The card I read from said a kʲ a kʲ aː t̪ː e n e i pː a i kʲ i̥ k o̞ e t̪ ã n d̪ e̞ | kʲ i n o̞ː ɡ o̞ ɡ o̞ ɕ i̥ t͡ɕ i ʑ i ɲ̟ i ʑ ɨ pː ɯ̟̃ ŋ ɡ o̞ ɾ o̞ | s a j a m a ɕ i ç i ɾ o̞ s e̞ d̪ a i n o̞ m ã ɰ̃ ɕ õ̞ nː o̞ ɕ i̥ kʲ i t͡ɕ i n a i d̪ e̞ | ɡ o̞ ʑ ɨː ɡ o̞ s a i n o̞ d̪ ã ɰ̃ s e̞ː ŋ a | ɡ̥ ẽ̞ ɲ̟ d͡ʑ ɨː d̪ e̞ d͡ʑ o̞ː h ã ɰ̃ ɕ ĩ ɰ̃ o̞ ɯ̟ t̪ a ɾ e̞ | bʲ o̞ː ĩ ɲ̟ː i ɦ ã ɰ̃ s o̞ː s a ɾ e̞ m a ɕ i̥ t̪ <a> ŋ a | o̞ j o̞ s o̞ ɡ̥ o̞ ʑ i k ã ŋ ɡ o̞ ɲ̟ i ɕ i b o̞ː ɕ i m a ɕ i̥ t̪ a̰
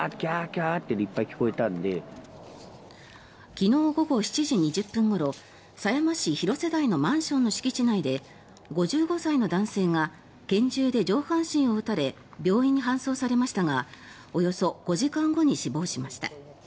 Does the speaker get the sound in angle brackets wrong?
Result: no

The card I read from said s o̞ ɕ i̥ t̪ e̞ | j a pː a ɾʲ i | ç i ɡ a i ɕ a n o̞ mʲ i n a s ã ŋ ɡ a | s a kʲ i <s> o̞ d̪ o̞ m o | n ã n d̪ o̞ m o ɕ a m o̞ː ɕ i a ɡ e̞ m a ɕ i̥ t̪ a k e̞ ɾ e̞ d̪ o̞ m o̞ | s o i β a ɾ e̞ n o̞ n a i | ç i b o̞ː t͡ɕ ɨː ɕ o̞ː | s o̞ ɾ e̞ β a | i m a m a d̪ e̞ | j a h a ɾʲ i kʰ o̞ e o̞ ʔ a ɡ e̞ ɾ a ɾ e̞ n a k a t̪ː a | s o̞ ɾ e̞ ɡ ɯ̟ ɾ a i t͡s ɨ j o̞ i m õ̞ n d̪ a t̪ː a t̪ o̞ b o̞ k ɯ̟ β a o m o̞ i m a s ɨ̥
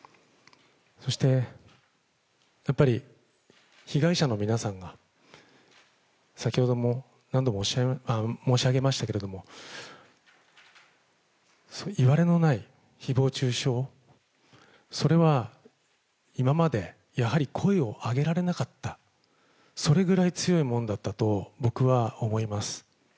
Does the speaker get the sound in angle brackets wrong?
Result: yes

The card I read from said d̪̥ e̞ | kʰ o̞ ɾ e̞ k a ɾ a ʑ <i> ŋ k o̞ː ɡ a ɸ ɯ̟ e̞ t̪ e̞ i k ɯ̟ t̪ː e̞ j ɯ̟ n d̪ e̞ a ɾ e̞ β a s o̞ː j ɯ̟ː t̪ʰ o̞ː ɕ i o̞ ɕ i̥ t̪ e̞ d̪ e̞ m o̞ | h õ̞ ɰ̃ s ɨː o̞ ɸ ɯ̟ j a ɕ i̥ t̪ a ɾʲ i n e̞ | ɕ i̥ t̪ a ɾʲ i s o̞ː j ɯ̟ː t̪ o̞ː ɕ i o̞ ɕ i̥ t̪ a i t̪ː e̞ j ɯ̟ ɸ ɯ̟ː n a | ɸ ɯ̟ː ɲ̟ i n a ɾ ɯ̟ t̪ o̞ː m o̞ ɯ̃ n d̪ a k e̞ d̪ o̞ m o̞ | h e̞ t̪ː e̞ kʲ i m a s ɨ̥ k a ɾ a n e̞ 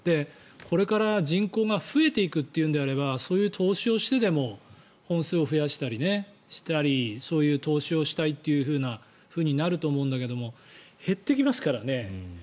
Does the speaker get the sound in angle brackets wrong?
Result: yes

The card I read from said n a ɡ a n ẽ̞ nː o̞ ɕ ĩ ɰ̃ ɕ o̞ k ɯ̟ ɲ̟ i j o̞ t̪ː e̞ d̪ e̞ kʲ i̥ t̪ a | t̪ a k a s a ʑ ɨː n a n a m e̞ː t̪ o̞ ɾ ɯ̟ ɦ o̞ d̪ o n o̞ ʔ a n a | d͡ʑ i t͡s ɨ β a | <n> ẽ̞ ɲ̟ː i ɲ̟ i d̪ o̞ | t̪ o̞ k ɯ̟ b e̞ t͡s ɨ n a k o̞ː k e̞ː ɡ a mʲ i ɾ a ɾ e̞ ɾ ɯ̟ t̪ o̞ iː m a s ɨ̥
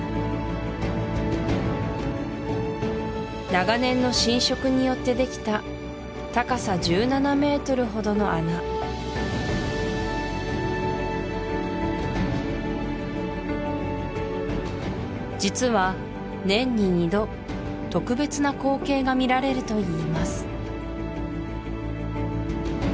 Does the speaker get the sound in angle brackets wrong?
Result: no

